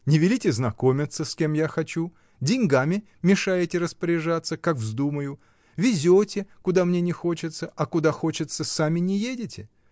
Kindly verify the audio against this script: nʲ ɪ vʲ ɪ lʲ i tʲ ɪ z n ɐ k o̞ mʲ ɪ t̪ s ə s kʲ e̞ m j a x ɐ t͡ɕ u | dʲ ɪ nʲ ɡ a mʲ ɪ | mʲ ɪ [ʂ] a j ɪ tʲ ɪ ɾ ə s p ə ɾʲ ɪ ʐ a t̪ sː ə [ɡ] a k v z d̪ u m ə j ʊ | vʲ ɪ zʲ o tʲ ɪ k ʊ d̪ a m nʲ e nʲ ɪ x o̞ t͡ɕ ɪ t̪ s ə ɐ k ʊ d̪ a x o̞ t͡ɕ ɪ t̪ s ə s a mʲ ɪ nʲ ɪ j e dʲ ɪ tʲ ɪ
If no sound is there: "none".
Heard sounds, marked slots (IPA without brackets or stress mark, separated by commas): ʂ, k